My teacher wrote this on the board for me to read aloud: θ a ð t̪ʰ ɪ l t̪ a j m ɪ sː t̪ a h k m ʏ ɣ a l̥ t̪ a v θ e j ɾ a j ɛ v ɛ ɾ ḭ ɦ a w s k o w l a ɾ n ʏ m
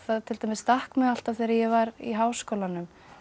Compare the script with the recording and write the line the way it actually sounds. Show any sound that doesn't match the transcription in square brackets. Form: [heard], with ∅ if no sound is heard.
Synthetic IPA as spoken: θ a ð t̪ʰ ɪ l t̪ a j m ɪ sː t̪ a h k m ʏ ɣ a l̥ t̪ a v θ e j ɾ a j ɛ v [a] ɾ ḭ ɦ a w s k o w l a [∅] n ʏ m